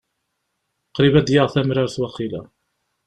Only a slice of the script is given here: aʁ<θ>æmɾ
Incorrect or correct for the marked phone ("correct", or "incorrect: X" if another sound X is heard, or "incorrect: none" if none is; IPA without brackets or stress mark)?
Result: correct